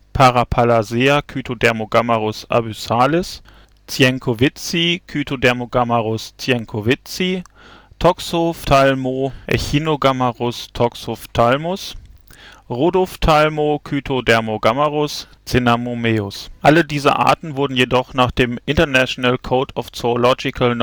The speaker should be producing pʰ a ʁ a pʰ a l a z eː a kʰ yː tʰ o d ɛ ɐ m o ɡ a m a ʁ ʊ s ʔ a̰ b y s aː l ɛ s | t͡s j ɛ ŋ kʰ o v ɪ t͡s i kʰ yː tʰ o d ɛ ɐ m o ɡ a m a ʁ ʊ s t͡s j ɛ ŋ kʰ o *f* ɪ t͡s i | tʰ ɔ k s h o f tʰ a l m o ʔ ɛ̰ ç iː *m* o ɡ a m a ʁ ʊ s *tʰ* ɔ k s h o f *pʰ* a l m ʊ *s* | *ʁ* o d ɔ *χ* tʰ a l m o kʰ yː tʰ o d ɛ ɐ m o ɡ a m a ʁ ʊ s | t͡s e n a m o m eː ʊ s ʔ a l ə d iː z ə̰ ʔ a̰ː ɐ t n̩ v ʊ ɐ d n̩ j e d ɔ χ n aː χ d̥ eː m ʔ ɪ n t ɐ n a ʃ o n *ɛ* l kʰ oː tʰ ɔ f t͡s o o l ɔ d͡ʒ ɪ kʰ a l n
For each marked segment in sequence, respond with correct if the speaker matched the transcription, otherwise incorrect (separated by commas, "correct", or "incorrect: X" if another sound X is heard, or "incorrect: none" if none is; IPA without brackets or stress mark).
incorrect: v, incorrect: n, correct, incorrect: tʰ, correct, correct, incorrect: f, incorrect: a